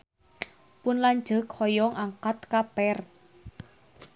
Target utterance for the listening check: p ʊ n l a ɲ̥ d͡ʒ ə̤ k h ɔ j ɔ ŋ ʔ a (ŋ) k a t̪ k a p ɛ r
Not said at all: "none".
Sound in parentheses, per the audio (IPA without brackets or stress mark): ŋ